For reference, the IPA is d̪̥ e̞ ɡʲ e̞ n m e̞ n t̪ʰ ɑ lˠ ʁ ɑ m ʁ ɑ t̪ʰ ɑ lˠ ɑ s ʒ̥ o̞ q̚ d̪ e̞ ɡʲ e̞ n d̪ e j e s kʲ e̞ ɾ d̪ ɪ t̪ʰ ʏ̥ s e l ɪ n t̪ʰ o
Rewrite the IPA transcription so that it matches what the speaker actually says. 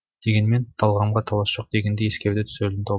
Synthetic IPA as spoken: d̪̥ e̞ ɡʲ e̞ n m e̞ n t̪ʰ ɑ lˠ ʁ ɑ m ʁ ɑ t̪ʰ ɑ lˠ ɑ s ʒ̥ o̞ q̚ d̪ e̞ ɡʲ e̞ n d̪ e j e s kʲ e̞ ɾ d̪ ɪ t̪ʰ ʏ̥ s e l ɪ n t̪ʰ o